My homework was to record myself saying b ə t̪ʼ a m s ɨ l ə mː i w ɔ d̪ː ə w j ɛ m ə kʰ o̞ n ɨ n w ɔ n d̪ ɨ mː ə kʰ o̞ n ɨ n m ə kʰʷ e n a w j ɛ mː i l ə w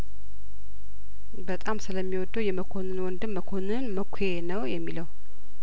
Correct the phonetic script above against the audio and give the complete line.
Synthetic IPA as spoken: b ə t̪ʼ a m s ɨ l ə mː i w ɔ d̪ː ə w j ɛ m ə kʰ o̞ n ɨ n w ɔ n d̪ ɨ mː ə kʰ o̞ n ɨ n m ə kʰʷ e n ə w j ɛ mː i l ə w